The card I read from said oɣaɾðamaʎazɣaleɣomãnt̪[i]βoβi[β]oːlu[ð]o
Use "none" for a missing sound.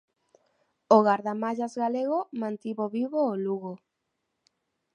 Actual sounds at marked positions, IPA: i, β, ɣ

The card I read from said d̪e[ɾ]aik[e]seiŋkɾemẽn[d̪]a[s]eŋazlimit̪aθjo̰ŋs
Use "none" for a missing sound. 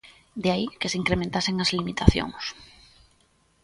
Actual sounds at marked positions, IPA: none, e, t̪, s

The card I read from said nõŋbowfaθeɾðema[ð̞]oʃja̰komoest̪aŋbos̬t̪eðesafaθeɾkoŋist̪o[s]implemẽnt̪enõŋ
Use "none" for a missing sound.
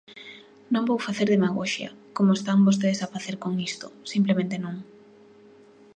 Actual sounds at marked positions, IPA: ɣ̞, s

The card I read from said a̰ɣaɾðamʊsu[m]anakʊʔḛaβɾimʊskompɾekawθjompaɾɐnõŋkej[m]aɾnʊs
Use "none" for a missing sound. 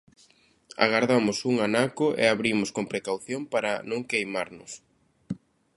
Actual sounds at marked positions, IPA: ŋ, m

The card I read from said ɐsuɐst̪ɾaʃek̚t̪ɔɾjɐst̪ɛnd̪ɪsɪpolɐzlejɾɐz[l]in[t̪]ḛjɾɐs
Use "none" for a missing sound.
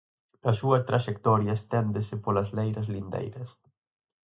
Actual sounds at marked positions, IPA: l, d̪

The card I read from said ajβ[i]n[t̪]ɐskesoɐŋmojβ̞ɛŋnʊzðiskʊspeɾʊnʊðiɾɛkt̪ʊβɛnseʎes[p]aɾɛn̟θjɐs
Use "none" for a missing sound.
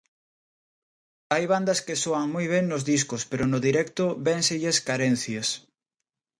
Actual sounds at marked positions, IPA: a, d̪, k

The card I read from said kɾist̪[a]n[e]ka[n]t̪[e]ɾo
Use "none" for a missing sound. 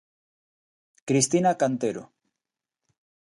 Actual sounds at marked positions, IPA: i, a, n, e

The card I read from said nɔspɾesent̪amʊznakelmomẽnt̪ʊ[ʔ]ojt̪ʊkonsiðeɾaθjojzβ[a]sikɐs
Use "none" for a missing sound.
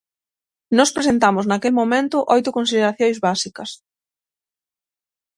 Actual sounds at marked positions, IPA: ʔ, a

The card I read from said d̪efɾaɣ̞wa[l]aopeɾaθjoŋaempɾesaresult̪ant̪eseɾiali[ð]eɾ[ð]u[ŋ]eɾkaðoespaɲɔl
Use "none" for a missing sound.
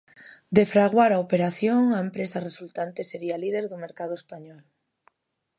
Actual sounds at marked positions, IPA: ɾ, ð, ð, m

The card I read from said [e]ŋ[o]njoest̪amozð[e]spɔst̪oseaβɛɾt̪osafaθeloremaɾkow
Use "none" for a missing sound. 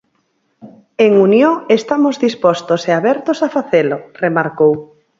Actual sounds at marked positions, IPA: e, u, i

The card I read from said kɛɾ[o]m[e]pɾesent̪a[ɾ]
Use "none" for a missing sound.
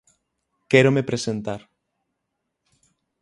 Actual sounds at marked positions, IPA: o, e, ɾ

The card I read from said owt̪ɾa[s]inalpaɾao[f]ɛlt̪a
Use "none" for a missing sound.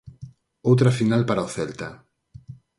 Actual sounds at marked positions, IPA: f, θ

